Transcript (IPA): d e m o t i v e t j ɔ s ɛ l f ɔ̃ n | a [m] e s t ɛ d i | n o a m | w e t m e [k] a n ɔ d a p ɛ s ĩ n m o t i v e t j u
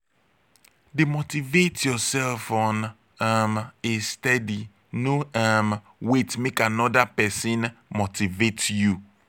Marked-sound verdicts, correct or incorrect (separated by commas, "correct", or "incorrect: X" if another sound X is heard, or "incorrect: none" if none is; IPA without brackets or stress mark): correct, correct